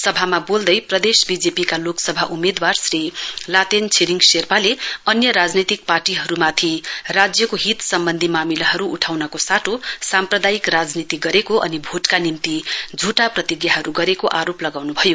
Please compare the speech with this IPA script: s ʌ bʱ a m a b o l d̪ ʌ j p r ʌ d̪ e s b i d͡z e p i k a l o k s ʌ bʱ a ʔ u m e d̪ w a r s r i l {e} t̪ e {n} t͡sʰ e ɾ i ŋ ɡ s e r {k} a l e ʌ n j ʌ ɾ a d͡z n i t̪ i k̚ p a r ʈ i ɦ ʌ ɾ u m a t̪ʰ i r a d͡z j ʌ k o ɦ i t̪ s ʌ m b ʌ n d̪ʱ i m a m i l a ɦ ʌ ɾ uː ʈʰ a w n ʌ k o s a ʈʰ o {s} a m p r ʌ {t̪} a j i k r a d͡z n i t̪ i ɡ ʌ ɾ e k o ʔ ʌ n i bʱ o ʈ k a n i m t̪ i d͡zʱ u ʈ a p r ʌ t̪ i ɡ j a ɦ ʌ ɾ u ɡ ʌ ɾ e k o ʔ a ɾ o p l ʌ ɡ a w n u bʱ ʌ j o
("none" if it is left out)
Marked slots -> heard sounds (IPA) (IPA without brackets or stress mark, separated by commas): a, n, p, s, d̪